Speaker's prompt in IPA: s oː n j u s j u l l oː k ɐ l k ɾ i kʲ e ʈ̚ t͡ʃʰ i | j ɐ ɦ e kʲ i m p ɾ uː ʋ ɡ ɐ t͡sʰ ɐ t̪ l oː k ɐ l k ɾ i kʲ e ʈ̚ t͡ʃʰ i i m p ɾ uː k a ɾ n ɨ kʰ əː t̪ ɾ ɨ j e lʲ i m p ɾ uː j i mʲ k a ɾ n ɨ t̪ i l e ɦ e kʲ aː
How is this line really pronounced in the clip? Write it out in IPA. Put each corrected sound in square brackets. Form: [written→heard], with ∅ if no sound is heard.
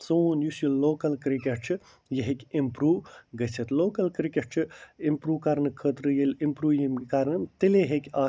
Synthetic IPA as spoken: s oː n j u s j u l l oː k ɐ l k ɾ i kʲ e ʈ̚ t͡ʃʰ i | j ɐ ɦ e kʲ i m p ɾ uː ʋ ɡ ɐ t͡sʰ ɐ t̪ l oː k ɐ l k ɾ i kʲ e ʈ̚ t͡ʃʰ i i m p ɾ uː k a ɾ n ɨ kʰ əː t̪ ɾ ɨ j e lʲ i m p ɾ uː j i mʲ k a ɾ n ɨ t̪ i l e ɦ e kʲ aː